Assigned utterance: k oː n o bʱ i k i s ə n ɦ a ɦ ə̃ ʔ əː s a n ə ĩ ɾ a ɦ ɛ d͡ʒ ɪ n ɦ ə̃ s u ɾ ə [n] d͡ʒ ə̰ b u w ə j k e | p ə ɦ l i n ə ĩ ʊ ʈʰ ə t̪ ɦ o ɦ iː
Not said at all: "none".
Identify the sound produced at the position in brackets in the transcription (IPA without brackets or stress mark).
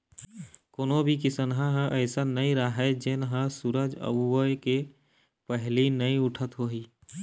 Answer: none